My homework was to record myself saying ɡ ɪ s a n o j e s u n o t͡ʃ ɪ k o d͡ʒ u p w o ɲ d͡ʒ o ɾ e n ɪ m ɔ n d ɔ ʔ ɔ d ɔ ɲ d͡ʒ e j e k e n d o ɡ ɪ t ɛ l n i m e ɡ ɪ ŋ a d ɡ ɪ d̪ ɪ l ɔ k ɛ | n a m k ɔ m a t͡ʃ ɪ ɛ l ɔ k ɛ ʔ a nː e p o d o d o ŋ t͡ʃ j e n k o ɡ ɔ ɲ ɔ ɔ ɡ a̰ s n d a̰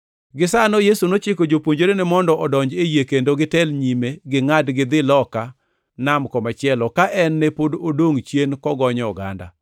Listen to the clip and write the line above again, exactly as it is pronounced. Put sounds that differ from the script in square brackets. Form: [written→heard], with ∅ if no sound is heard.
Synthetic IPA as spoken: ɡ ɪ s a n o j e s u n o t͡ʃ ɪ k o d͡ʒ [u→o] p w o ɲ d͡ʒ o ɾ e n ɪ m ɔ n d ɔ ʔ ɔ d ɔ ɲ d͡ʒ e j e k e n d o ɡ ɪ t ɛ l [n→ɲ] i m e ɡ ɪ ŋ a d ɡ ɪ d̪ ɪ l ɔ k [ɛ→a] | n a m k ɔ m a t͡ʃ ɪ ɛ l ɔ k [ɛ→a] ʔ [a→ɛ] nː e p o d o d o ŋ t͡ʃ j e n k [o→ɔ] ɡ ɔ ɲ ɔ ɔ ɡ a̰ [s→∅] n d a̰